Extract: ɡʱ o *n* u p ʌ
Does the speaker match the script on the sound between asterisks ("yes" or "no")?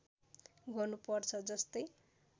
yes